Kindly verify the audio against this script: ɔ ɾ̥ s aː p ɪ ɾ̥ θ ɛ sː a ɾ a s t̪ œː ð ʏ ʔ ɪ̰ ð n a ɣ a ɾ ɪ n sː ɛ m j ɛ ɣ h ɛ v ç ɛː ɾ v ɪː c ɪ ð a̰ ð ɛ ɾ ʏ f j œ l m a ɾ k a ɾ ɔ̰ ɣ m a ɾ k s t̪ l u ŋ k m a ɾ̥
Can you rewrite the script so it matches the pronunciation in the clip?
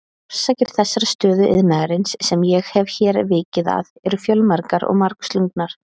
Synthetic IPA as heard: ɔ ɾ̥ s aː c ɪ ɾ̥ θ ɛ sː a ɾ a s t̪ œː ð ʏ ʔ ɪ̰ ð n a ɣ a ɾ ɪ n sː ɛ m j ɛ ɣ h ɛ v ç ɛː ɾ v ɪː c ɪ ð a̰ ð ɛ ɾ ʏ f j œ l m a ɾ k a ɾ ɔ̰ ɣ m a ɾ k s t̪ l u ŋ k n a ɾ̥

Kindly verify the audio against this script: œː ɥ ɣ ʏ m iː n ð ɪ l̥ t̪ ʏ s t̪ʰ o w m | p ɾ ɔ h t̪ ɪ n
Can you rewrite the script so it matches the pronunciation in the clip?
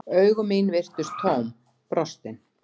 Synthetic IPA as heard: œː ɥ ɣ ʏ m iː n v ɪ r̥ t̪ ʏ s t̪ʰ o w m | p ɾ ɔ s t̪ ɪ n

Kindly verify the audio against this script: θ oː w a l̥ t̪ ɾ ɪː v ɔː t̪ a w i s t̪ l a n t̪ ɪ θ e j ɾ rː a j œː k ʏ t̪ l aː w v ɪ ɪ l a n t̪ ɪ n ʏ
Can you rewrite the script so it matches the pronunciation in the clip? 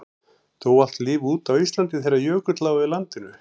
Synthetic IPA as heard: θ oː w a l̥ t̪ l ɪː v uː t̪ a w i s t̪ l a n t̪ ɪ θ e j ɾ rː a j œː k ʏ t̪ l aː w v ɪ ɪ l a n t̪ ɪ n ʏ

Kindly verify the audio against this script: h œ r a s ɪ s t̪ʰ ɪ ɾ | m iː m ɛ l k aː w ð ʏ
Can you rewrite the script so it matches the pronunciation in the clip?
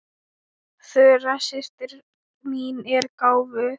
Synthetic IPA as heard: θ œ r a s ɪ s t̪ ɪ ɾ | m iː n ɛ ɾ k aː w v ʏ

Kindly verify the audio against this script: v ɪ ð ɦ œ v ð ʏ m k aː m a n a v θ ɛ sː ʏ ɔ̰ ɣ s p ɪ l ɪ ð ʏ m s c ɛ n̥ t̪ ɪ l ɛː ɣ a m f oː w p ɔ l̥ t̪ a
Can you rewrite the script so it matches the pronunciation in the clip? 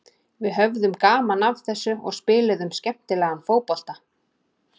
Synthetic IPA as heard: v ɪ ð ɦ œ v ð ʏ m k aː m a n a v θ ɛ sː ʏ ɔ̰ ɣ s p ɪː l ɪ ð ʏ m s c ɛ m̥ t̪ ɪ l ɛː ɣ a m f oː w p ɔ l̥ t̪ a

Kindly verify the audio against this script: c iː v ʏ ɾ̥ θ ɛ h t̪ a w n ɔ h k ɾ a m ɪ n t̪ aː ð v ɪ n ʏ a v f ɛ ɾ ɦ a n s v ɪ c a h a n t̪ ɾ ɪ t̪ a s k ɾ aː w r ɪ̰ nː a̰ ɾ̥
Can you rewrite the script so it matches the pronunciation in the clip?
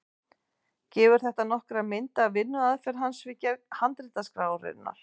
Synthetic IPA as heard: c ɛː v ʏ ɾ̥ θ ɛ h t̪ a n ɔ h k ɾ a m ɪ n t̪ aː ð v ɪ nː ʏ a ð f ɛ ɾ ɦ a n s v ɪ c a h a n t̪ ɾ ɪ t̪ a s k ɾ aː w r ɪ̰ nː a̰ ɾ̥

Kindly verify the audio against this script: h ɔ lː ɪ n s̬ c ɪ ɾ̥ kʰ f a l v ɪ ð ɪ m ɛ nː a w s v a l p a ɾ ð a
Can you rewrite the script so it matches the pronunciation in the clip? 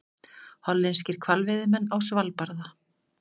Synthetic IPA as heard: h ɔ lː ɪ n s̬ c ɪ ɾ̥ kʰ v a l v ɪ ð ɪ m ɛ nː a w s v a l p a ɾ ð a

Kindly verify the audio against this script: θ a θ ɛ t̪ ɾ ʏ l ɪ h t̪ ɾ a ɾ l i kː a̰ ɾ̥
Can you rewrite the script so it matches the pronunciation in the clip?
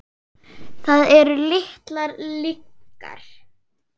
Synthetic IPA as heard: θ a ð ɛ ɾ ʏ l ɪ h t̪ l a ɾ l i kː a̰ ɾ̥

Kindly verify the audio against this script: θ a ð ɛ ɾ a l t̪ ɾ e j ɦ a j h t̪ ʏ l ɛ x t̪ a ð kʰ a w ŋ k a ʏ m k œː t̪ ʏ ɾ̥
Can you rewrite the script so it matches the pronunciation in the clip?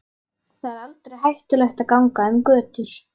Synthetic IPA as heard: θ a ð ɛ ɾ a l t̪ ɾ e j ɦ a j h t̪ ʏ l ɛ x t̪ a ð k a w ŋ k a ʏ m k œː t̪ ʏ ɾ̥

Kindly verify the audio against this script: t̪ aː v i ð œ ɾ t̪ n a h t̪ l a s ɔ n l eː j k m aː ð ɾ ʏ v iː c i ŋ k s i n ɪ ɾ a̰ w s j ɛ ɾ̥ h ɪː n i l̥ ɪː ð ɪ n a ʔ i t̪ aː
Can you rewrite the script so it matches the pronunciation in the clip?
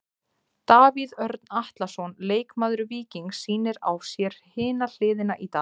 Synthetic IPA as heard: t̪ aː v i ð œ ɾ t̪ n a h t̪ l a s ɔ n l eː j k m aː ð ɾ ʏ v iː c i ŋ k s iː n ɪ ɾ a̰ w s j ɛ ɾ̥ h ɪː n a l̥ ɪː ð ɪ n a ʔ i t̪ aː

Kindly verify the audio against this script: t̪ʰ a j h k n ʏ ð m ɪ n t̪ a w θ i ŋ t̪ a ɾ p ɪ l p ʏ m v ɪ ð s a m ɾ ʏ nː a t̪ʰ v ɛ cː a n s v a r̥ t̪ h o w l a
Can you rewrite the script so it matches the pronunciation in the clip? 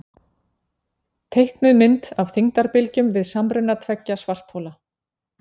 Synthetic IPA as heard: t̪ʰ e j h k n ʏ ð m ɪ n t̪ a w θ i ŋ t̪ a ɾ p ɪ l c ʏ m v ɪ ð s a m ɾ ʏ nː a t̪ʰ v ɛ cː a s v a r̥ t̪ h o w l a

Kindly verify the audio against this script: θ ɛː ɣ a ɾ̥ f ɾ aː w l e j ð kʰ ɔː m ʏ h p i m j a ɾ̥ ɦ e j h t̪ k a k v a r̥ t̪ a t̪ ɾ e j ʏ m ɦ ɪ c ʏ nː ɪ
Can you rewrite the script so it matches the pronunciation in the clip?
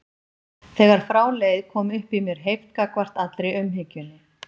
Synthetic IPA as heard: θ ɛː ɣ a ɾ̥ f ɾ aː w l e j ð kʰ ɔː m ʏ h p i m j ɛ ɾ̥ ɦ e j f t̪ k a k v a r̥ t̪ a t̪ ɾ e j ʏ m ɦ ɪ c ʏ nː ɪ

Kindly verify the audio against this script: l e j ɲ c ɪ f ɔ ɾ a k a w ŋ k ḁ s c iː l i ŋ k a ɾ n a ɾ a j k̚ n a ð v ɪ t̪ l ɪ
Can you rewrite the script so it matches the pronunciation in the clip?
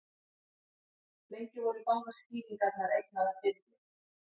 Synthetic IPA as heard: l e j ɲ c ɪ v ɔ ɾ i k a w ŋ k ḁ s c iː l i ŋ k a ɾ n a ɾ e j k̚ n a ð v ɪ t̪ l ɪ

